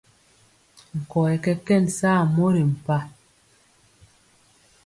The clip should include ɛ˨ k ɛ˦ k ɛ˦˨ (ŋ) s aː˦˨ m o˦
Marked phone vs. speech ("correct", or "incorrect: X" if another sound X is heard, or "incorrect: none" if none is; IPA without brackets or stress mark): incorrect: n